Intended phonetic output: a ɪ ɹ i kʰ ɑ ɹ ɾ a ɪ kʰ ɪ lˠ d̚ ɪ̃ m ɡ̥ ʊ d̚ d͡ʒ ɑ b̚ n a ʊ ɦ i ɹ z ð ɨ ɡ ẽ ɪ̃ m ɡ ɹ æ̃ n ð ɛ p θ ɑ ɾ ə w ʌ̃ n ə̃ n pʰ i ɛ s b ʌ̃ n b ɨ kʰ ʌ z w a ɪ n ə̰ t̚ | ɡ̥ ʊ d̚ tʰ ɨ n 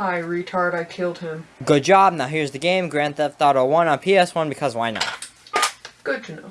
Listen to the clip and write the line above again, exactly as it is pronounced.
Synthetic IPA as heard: a ɪ ɹ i tʰ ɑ ɹ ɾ a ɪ kʰ ɪ lˠ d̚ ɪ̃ m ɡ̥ ʊ d̚ d͡ʒ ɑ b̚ n a ʊ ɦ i ɹ z ð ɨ ɡ ẽ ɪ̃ m ɡ ɹ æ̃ n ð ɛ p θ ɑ ɾ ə w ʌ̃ n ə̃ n pʰ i ɛ s w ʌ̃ n b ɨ kʰ ʌ z w a ɪ n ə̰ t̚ | ɡ̥ ʊ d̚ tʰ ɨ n